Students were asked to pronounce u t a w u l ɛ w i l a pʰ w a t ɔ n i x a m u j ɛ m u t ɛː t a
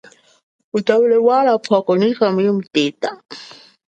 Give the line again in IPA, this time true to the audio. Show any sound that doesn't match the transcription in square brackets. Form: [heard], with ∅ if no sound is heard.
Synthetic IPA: u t a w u l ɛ w [a] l a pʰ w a [k] ɔ n i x a m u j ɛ m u t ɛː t a